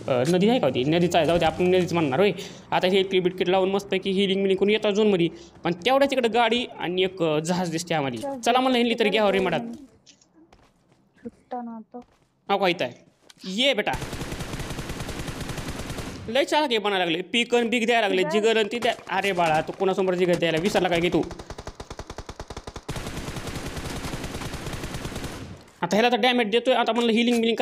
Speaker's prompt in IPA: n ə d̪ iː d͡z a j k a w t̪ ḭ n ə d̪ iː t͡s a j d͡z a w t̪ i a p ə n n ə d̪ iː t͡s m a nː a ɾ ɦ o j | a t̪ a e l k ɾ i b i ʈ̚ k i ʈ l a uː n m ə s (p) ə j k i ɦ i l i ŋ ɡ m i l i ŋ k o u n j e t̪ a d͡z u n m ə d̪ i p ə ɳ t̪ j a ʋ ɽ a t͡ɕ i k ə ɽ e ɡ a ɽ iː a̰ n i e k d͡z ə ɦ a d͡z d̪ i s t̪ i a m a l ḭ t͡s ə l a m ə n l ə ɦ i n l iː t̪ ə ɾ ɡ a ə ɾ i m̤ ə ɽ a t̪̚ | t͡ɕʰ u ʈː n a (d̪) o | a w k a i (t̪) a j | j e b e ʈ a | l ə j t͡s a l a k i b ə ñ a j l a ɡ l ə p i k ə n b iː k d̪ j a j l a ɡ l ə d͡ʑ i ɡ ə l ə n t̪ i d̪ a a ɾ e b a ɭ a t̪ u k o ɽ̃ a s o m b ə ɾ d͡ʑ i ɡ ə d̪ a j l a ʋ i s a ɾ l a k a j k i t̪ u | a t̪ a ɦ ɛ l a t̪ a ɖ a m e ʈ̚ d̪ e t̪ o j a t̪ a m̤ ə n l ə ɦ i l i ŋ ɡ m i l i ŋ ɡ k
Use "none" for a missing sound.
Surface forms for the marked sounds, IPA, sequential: p, t̪, t̪

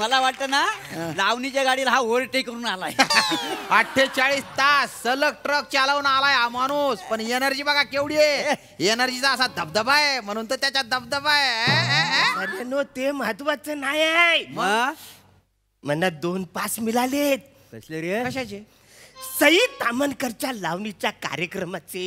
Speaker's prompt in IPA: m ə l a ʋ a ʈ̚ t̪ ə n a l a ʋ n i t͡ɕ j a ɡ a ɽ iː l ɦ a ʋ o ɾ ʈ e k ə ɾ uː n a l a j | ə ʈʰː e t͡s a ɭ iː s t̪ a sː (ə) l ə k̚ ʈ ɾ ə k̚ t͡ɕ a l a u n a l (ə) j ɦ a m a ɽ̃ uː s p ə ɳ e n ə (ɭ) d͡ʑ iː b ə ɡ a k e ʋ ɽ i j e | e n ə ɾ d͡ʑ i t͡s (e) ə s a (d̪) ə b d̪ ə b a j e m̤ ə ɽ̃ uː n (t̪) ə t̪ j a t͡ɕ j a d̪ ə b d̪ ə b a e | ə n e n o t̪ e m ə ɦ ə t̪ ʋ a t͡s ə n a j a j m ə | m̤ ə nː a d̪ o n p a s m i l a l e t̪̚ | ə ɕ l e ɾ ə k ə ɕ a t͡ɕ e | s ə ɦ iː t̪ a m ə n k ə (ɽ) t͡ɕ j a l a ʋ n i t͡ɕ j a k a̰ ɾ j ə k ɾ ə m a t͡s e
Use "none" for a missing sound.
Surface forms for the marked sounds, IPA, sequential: ə, a, ɾ, a, d̪, t̪, ɾ

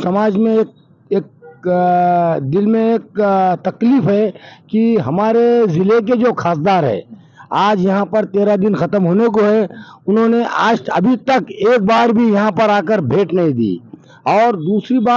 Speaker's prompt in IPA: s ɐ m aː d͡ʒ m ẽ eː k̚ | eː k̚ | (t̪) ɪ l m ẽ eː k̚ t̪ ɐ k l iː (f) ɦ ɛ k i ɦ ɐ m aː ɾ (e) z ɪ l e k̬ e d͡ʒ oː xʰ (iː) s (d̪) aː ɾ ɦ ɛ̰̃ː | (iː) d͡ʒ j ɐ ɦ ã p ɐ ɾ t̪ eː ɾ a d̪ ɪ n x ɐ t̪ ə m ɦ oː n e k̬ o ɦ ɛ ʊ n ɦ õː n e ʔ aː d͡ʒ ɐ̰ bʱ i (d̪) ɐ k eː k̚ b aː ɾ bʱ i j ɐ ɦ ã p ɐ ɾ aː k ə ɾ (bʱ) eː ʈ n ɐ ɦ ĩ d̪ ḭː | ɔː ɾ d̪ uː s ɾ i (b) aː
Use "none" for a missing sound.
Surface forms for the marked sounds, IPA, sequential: d̪, f, e, aː, d̪, aː, t̪, bʱ, b

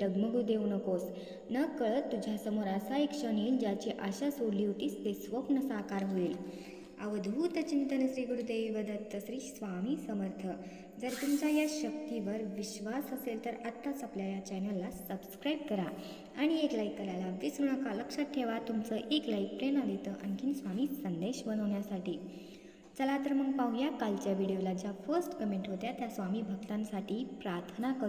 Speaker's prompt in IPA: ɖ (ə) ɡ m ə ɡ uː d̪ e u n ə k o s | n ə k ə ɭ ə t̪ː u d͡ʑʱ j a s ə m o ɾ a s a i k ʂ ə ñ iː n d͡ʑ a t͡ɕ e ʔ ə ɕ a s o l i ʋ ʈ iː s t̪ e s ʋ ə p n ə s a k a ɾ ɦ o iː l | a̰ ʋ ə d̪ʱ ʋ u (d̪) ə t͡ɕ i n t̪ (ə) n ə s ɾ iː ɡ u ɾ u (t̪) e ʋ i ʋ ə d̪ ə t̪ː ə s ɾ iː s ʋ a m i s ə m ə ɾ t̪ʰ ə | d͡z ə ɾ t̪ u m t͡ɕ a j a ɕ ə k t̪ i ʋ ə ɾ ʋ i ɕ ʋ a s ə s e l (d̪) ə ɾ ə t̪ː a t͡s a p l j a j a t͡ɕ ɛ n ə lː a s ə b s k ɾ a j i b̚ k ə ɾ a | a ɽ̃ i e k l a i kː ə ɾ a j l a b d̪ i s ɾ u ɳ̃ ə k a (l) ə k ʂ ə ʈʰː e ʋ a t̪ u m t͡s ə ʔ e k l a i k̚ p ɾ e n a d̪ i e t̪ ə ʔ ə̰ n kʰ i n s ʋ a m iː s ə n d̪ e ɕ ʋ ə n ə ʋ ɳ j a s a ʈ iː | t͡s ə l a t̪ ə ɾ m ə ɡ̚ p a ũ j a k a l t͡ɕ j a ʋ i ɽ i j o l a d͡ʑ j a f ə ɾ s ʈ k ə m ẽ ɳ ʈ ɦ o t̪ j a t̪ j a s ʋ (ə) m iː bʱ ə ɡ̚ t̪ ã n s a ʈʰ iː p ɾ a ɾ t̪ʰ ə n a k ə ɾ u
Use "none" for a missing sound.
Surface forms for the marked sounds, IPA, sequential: ə, t̪, ə, d̪, t̪, l, a

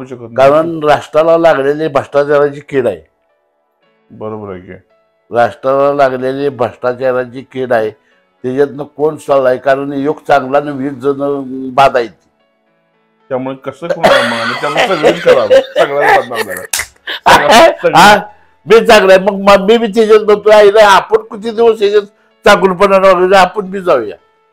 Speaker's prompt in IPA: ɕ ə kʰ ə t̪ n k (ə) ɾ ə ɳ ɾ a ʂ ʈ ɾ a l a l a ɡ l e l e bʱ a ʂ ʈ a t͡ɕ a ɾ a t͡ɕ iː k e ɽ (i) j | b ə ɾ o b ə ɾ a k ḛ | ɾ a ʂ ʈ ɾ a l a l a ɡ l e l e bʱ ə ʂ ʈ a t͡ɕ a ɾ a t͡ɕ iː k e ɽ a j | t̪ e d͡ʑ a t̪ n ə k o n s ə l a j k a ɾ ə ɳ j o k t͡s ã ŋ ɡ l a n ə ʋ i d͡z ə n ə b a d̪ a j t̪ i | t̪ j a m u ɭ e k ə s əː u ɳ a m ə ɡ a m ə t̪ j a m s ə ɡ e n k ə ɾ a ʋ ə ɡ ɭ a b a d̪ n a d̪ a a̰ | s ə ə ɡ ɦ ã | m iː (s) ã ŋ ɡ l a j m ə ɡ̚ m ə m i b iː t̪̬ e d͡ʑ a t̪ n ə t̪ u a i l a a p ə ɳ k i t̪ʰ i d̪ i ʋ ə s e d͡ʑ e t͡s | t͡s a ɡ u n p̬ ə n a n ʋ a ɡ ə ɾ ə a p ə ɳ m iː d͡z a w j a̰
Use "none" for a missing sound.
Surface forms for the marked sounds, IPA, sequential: a, a, t͡s

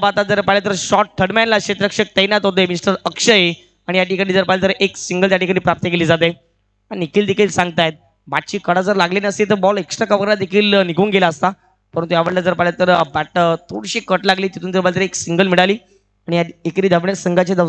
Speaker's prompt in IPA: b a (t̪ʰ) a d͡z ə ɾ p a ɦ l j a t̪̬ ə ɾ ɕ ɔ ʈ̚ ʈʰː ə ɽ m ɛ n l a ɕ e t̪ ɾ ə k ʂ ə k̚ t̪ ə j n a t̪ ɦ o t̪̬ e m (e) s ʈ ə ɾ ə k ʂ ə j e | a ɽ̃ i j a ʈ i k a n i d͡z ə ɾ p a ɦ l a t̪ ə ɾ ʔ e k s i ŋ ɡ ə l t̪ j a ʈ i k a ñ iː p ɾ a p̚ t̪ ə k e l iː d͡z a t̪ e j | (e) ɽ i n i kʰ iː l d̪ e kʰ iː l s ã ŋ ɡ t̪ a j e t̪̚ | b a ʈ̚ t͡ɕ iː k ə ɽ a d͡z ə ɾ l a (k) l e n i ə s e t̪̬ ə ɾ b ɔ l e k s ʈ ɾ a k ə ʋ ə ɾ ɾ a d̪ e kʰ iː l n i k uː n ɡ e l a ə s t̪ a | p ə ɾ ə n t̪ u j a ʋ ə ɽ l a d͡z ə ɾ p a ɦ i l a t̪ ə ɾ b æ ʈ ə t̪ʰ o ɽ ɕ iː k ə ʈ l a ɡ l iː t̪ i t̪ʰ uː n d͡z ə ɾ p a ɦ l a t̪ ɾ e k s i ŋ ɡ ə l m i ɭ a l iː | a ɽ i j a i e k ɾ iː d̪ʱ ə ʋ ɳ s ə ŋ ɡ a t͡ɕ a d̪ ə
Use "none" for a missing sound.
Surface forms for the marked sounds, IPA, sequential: t̪, i, a, ɡ

